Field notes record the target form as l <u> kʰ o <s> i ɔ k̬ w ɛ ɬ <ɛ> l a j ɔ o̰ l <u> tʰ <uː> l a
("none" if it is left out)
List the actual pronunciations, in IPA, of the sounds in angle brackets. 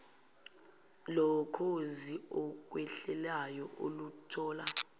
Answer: ɔ, z, ɛ, u, ɔː

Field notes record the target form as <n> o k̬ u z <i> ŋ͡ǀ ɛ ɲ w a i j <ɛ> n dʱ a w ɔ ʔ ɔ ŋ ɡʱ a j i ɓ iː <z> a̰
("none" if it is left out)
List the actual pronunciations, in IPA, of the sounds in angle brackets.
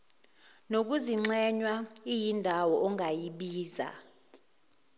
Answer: n, i, i, z

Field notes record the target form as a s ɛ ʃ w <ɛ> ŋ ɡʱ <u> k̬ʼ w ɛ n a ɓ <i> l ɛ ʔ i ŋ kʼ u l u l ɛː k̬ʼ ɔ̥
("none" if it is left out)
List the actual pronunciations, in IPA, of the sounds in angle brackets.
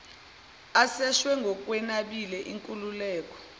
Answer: ɛ, ɔ, i

